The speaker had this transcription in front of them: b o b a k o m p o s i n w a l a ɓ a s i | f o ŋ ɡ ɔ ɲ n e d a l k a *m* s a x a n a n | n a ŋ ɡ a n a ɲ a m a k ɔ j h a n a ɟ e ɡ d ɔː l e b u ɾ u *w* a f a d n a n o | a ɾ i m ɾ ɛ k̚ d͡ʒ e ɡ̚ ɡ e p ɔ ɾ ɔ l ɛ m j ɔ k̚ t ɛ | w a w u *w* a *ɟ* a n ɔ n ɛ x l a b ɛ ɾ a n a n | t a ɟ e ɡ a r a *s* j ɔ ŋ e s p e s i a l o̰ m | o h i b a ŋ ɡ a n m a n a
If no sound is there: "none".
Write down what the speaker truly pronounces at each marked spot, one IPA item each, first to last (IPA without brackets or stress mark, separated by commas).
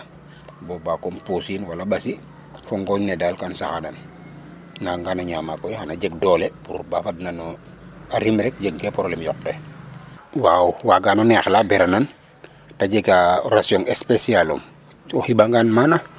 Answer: n, b, w, ɡ, s